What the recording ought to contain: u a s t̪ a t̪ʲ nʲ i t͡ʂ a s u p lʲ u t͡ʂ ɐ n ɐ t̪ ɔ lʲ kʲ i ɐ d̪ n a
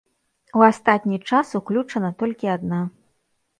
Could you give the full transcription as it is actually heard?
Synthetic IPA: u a s t̪ a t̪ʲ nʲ i t͡ʂ a s u k lʲ u t͡ʂ ɐ n ɐ t̪ ɔ lʲ kʲ i a d̪ n a